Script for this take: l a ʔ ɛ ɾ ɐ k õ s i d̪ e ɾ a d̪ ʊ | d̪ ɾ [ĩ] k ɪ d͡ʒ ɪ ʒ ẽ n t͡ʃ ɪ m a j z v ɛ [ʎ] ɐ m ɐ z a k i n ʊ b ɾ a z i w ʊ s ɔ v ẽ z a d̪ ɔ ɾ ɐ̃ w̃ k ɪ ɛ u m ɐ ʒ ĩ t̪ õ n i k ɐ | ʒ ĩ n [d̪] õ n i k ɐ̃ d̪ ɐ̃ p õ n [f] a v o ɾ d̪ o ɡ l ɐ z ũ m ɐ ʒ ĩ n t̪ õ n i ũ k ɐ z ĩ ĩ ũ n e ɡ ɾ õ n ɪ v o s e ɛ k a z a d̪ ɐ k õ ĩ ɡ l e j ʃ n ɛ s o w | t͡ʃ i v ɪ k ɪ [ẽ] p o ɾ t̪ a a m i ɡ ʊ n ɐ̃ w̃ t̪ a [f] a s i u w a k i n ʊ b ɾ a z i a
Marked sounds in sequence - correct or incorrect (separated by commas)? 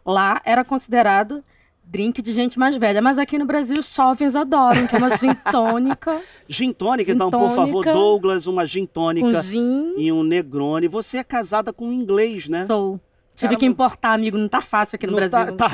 correct, correct, incorrect, correct, incorrect, correct